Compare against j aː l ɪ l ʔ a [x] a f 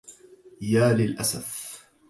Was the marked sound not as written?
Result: yes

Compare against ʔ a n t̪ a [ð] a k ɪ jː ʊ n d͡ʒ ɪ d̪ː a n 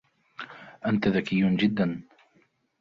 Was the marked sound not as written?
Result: no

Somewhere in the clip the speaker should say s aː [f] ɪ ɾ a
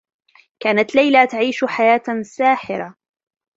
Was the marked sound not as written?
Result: yes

